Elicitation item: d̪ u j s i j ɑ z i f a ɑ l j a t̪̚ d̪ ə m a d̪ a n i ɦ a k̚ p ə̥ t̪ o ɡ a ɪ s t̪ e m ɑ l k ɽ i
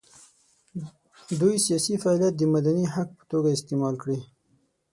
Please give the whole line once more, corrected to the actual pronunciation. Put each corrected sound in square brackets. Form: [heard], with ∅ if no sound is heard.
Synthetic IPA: d̪ u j s i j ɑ [s] i f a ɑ l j a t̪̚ d̪ ə m a d̪ a n i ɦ a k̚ p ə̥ t̪ o ɡ a ɪ s t̪ e m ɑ l k ɽ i